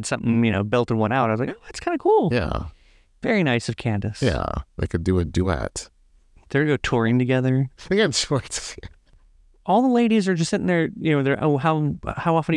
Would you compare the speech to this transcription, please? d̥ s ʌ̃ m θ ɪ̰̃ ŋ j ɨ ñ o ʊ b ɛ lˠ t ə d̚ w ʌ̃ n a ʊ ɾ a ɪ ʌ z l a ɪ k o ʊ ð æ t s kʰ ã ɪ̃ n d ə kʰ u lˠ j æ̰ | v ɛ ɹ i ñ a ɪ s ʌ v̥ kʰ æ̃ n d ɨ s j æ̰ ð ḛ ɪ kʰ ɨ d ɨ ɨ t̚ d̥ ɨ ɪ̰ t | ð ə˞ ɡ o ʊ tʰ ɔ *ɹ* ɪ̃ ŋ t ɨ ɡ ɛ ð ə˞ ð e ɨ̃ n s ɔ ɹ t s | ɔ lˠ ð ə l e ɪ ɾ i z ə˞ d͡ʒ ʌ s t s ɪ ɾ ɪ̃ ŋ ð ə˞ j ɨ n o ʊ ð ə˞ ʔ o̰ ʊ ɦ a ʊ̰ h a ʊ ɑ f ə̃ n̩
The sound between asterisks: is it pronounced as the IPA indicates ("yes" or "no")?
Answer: yes